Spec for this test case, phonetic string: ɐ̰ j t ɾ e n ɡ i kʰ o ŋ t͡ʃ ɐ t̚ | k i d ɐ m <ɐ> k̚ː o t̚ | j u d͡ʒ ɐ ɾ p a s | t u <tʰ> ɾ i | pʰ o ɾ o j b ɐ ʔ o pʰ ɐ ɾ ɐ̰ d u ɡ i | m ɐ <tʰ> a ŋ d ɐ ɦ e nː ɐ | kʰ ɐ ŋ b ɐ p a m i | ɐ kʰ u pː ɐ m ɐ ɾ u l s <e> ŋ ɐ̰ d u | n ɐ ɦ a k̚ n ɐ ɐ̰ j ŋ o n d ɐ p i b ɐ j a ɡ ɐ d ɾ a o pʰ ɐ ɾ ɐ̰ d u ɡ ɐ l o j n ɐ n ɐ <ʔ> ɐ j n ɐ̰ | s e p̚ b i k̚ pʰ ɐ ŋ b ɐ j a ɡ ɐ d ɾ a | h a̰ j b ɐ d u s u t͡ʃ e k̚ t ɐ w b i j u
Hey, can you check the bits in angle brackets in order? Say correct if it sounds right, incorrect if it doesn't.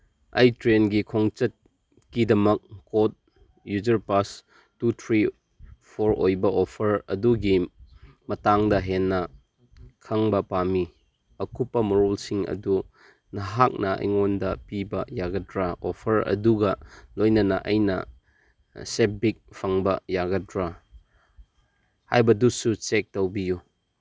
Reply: correct, correct, incorrect: t, incorrect: i, correct

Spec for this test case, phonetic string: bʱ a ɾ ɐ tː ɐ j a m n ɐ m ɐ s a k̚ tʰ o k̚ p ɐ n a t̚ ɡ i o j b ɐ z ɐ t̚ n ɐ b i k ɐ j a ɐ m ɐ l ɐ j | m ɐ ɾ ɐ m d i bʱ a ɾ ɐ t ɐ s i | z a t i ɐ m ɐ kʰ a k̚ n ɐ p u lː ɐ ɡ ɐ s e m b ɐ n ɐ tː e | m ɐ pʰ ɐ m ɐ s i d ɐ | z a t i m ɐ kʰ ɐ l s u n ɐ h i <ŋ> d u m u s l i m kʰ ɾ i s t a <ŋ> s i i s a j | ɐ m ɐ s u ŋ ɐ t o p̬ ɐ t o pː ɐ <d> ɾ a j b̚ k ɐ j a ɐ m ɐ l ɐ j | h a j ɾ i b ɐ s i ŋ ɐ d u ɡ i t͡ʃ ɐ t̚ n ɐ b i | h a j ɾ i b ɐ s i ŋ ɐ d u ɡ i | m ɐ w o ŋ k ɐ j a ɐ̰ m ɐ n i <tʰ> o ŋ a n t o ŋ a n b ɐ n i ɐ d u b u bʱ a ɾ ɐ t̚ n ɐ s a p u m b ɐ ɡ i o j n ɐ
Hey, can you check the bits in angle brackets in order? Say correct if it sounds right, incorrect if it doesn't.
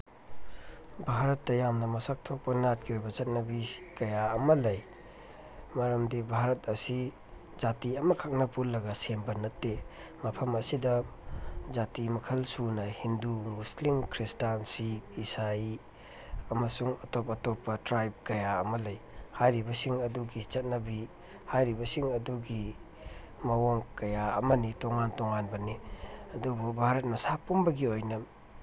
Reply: incorrect: n, incorrect: n, incorrect: t, incorrect: t

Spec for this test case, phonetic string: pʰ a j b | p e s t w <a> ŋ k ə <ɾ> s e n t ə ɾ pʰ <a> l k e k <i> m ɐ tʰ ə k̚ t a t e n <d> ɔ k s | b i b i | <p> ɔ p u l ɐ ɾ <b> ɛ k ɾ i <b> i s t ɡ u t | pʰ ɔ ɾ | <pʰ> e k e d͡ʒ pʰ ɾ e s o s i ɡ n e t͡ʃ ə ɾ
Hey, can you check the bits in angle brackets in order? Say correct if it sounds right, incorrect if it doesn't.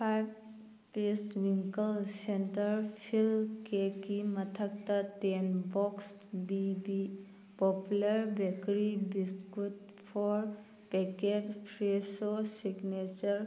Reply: incorrect: i, incorrect: l, incorrect: i, correct, incorrect: b, correct, correct, correct, incorrect: p

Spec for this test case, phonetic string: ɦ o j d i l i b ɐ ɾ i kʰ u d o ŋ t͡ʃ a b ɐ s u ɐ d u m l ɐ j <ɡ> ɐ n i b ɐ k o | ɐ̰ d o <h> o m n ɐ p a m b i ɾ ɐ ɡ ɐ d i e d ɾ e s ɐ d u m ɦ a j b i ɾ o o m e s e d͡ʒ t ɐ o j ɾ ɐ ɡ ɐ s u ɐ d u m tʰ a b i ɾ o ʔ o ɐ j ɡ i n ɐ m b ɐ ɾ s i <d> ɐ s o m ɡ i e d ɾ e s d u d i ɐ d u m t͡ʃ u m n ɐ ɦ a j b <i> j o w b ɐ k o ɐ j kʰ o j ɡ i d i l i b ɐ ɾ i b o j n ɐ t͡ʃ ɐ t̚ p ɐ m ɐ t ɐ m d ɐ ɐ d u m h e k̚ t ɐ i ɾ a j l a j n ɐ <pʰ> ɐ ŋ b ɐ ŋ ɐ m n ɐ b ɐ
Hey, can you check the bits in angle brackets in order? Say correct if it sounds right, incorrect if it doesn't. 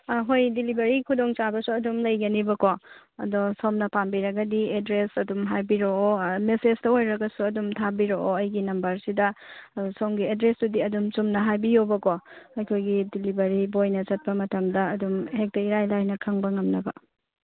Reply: correct, incorrect: s, correct, correct, incorrect: kʰ

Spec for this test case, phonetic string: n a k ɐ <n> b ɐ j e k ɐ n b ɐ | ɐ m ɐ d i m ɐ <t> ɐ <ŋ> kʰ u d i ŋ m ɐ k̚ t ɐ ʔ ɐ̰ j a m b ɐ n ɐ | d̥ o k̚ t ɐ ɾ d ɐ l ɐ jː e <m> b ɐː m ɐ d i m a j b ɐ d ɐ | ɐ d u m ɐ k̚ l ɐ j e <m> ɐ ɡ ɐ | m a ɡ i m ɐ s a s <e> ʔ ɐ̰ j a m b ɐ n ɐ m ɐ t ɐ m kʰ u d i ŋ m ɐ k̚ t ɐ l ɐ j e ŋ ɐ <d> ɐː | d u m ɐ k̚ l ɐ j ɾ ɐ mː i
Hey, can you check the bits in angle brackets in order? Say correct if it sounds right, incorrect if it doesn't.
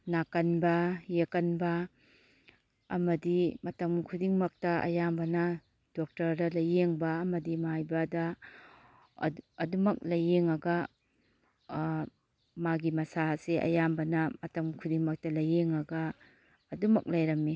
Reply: correct, correct, incorrect: m, incorrect: ŋ, incorrect: ŋ, correct, incorrect: ɡ

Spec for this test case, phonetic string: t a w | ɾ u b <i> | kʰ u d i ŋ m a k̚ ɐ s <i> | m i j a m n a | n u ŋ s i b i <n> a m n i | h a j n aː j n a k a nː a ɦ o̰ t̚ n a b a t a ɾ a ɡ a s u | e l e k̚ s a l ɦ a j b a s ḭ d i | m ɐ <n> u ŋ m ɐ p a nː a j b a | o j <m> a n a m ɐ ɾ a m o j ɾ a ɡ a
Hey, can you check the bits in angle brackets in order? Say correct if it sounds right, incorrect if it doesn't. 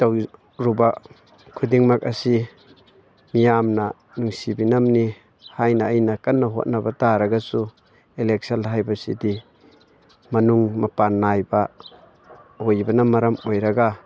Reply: incorrect: a, correct, correct, correct, incorrect: b

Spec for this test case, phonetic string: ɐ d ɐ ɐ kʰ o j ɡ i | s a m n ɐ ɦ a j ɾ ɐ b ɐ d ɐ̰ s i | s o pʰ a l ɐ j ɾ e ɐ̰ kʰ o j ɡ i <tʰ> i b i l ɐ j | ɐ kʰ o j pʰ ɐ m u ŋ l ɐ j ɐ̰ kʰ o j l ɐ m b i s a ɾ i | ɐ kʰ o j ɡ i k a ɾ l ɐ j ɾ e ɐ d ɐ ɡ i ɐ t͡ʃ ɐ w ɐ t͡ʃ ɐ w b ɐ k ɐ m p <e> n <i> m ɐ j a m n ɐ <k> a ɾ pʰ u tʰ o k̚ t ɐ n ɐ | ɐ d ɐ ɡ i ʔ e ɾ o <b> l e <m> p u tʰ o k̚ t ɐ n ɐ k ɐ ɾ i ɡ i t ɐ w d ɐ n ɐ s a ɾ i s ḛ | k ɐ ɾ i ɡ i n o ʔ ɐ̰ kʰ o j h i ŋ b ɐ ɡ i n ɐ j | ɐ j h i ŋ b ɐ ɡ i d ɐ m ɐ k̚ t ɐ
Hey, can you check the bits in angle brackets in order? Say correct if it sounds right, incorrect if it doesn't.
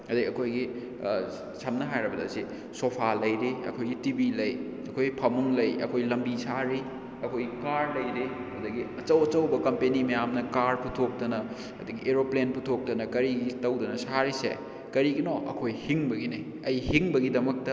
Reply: incorrect: t, correct, correct, correct, incorrect: p, incorrect: n

